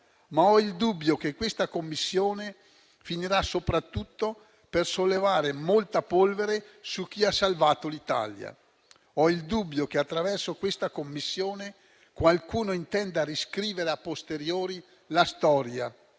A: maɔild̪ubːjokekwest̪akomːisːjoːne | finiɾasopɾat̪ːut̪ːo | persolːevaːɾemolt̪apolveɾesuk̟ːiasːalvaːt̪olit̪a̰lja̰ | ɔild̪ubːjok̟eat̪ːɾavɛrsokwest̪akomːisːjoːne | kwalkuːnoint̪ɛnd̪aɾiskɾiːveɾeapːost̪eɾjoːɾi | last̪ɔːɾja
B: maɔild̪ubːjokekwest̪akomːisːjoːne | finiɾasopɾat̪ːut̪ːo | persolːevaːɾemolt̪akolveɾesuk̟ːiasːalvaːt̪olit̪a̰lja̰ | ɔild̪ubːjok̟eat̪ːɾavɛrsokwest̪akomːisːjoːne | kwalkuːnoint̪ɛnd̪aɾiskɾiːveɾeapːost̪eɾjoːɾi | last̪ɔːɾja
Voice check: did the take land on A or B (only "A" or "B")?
A